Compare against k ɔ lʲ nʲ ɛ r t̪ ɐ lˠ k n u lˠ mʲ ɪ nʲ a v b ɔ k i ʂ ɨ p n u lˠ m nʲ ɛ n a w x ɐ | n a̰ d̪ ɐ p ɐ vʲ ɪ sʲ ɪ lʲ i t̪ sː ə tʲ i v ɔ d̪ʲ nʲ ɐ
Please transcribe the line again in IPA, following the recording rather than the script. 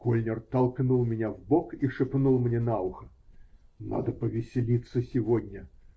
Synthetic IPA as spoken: k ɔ lʲ nʲ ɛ r t̪ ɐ lˠ k n u lˠ mʲ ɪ nʲ a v b ɔ k i ʂ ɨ p n u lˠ m nʲ ɛ n a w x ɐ | n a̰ d̪ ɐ p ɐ vʲ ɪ sʲ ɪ lʲ i t̪ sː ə sʲ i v ɔ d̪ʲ nʲ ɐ